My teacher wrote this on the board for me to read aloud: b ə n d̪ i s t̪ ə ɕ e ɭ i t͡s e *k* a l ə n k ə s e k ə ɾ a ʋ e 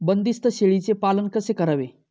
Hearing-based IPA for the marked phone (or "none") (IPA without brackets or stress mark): p